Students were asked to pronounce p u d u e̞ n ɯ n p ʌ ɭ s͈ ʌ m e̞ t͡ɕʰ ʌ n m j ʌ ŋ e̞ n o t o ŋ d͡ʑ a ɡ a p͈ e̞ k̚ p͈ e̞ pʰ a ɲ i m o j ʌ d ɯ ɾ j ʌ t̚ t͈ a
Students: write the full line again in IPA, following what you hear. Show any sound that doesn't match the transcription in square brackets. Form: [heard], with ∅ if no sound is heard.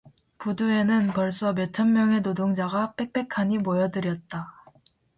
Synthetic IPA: p u d u e̞ n ɯ n p ʌ ɭ s͈ ʌ m e̞ t͡ɕʰ ʌ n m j ʌ ŋ e̞ n o [d] o ŋ d͡ʑ a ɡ a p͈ e̞ k̚ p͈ e̞ [kʰ] a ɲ i m o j ʌ d ɯ ɾ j ʌ t̚ t͈ a